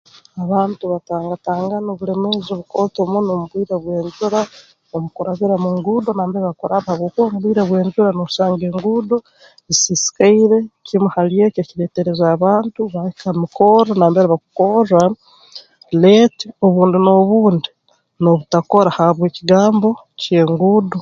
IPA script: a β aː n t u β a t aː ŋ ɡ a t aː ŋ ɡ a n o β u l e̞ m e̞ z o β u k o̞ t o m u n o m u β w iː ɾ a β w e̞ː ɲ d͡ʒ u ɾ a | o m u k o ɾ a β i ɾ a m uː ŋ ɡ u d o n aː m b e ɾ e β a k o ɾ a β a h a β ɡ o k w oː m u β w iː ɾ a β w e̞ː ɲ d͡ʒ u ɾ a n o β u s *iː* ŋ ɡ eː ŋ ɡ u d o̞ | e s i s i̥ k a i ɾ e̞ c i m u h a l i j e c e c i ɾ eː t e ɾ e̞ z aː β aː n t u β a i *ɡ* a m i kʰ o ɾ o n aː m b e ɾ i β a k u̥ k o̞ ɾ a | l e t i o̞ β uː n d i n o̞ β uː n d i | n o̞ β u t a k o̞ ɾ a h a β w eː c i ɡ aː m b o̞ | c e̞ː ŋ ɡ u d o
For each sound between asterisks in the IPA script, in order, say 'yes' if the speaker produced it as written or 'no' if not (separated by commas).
no, no